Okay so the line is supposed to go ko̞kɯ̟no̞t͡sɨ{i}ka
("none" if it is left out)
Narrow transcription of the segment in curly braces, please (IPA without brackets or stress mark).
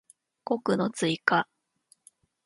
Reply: i